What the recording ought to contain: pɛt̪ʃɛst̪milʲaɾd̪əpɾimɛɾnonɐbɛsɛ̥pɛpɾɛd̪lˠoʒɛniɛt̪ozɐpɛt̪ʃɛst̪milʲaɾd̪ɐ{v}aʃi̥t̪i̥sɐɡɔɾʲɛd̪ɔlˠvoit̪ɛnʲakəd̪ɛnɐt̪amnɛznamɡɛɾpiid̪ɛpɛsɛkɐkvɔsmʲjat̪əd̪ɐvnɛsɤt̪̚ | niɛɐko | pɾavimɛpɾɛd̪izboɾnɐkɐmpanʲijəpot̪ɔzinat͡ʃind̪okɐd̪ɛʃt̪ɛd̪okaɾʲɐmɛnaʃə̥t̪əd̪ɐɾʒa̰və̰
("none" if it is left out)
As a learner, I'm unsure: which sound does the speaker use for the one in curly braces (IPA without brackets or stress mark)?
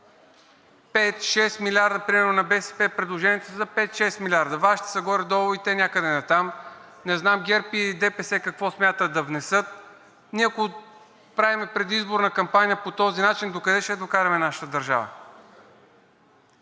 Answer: v